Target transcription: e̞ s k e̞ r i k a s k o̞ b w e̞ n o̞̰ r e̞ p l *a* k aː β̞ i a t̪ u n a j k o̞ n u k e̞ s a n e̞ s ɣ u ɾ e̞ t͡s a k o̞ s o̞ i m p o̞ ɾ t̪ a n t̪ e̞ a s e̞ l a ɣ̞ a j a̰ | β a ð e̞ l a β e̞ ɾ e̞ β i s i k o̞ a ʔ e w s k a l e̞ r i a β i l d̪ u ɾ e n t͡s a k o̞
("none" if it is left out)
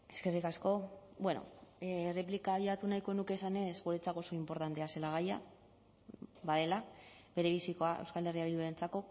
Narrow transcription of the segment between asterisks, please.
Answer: i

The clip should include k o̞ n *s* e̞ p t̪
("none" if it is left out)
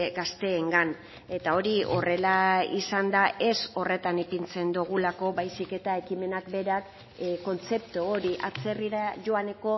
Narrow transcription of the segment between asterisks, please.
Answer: t͡s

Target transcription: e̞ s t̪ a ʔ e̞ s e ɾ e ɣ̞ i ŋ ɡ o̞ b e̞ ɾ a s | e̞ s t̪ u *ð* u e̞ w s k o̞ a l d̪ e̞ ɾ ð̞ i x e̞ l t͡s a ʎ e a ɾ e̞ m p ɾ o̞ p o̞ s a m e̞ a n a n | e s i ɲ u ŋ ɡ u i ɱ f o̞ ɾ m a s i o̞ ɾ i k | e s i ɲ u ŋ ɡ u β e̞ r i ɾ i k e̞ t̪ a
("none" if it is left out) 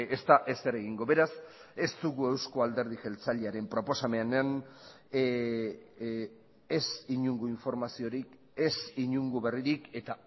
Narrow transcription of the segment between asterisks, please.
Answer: ɣ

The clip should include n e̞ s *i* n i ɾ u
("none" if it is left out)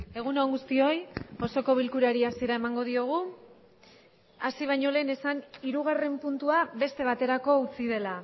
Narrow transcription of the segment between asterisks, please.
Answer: a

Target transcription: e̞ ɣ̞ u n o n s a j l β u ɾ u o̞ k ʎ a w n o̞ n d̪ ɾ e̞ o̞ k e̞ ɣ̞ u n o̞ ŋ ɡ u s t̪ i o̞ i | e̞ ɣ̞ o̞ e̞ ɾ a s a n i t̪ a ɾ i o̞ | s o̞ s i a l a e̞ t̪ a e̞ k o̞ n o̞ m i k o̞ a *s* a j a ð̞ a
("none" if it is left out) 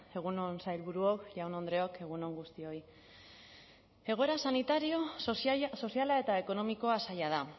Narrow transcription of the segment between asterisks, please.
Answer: s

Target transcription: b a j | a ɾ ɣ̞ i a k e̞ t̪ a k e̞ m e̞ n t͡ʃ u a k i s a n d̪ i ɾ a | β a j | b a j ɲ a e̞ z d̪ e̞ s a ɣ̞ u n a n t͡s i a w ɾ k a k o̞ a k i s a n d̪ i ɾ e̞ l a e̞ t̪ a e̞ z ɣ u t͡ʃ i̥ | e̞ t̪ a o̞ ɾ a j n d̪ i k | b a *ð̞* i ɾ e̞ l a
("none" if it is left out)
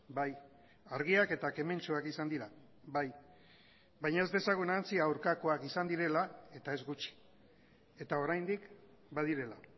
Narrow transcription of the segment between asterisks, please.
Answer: ð̞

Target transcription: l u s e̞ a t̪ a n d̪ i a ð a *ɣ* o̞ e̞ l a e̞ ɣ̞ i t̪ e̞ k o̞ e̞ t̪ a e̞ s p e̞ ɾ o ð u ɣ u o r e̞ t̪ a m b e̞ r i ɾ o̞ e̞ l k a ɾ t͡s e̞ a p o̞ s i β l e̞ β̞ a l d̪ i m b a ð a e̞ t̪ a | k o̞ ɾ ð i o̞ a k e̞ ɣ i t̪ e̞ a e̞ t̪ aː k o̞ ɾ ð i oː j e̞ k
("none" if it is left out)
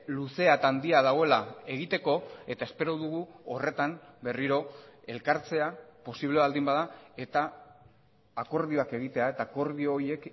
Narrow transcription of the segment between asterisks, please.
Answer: ɣ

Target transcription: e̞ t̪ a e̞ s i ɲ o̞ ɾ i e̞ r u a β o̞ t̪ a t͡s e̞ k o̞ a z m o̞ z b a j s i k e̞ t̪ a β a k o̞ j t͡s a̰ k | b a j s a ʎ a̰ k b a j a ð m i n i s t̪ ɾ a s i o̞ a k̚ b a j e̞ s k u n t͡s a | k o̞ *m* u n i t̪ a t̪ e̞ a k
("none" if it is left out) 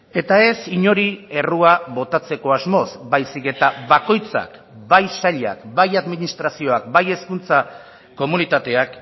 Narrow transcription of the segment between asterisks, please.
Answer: m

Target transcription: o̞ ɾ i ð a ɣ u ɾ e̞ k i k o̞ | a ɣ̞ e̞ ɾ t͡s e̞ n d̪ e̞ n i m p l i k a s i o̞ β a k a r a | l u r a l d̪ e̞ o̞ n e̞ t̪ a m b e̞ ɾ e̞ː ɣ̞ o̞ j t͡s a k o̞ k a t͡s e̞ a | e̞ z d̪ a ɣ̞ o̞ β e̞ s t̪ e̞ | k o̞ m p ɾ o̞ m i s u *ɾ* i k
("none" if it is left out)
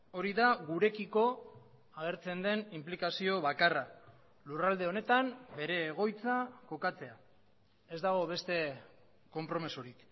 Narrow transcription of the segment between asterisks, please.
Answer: ɾ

